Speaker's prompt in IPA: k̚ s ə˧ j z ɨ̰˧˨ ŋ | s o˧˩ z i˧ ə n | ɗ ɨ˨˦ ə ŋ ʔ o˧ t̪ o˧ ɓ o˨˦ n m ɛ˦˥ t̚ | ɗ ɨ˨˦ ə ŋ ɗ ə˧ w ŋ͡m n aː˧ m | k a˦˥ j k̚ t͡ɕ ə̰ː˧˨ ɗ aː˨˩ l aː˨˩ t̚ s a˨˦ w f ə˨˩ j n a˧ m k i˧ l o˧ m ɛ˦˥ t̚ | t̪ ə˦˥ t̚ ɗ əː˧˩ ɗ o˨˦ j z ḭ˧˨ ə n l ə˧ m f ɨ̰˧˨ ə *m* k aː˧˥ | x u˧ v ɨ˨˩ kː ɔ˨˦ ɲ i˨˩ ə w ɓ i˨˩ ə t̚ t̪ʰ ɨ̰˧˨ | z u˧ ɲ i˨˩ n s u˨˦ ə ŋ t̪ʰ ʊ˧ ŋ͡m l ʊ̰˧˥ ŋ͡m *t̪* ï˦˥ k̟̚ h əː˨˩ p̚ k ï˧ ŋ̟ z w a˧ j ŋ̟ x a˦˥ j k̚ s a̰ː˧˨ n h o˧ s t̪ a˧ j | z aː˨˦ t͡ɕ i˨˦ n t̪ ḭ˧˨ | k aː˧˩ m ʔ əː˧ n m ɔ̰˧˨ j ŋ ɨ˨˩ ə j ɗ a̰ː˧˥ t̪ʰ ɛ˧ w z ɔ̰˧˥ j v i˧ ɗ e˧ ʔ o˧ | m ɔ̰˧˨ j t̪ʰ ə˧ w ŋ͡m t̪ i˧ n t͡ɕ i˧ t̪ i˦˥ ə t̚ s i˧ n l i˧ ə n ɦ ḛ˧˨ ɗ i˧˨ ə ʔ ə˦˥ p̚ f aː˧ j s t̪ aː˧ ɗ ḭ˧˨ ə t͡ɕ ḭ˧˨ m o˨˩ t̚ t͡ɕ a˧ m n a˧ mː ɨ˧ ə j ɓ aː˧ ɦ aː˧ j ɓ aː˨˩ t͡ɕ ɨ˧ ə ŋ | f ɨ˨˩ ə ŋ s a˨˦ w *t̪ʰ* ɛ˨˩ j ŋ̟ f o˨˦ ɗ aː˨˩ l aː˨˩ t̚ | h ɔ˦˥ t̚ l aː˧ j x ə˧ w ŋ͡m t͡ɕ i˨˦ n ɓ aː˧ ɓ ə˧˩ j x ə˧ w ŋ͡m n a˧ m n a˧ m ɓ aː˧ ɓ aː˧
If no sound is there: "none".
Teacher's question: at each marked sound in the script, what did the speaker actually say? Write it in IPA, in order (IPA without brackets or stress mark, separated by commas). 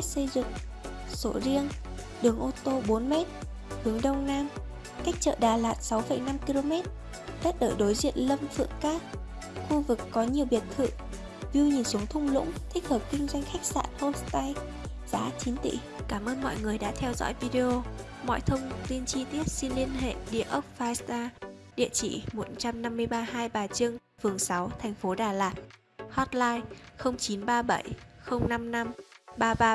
ŋ, t̪ʰ, t̪ʰ